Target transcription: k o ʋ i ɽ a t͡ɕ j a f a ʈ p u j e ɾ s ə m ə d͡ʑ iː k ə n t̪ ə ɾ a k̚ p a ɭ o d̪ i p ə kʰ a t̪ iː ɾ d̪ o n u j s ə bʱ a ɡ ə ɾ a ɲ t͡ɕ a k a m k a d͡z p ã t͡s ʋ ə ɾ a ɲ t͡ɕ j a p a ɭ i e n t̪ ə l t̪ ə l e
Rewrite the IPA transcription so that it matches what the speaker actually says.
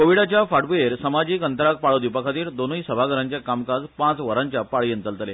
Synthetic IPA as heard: k o ʋ i ɽ a t͡ɕ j a f a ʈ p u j e ɾ s ə m a d͡ʑ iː k ə n t̪ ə ɾ a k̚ p a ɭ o d̪ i p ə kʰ a t̪ iː ɾ d̪ o n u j s ə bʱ a ɡ ə ɾ a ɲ t͡ɕ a k a m k a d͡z p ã t͡s ʋ ə ɾ a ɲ t͡ɕ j a p a ɭ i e n t̪ ə l t̪ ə l e